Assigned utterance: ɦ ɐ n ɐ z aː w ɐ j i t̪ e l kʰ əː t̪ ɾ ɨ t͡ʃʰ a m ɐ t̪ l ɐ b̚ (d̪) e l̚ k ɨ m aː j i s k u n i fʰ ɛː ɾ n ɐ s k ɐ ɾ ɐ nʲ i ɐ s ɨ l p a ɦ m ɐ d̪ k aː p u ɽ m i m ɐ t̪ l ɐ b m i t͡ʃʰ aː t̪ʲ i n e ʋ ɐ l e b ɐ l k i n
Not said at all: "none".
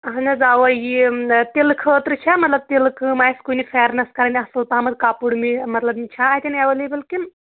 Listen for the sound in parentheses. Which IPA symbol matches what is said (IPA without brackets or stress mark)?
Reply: t̪